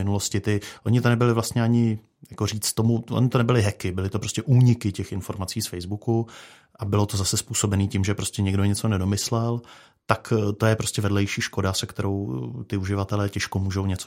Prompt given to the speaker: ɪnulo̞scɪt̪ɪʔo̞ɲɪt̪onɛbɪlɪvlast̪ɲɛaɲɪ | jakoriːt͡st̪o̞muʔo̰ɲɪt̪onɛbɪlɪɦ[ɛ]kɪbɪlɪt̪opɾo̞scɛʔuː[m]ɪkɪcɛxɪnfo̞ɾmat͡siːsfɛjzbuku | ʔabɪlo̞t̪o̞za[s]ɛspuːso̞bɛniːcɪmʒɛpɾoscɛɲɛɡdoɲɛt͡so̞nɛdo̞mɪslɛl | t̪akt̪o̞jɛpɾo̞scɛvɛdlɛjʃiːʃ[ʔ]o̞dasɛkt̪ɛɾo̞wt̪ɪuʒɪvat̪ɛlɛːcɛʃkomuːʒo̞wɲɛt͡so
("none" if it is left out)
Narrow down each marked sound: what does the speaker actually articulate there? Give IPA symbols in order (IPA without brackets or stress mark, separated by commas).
ɛ, ɲ, s, k